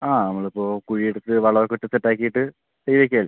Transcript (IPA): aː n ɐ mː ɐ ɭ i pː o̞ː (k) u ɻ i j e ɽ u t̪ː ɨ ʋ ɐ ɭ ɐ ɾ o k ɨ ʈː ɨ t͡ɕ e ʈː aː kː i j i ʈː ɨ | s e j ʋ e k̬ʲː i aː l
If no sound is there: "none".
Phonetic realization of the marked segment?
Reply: k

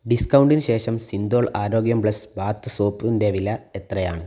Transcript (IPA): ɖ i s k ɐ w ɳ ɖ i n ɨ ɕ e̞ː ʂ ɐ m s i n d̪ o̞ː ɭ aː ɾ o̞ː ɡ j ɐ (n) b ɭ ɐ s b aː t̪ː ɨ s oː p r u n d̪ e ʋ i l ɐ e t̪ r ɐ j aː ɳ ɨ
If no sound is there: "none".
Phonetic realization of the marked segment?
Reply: m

